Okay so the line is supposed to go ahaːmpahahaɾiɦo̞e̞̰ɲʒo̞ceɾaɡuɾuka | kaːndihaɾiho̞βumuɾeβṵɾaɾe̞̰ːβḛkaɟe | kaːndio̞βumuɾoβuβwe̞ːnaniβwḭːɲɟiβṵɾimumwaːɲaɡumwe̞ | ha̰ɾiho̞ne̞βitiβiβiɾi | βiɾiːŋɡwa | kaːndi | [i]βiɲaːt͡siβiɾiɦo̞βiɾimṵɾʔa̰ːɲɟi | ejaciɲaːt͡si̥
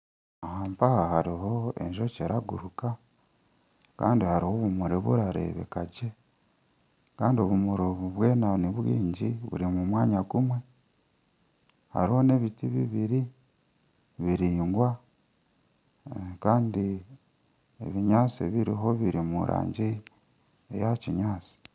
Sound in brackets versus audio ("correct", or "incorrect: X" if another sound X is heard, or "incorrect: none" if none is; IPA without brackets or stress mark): incorrect: e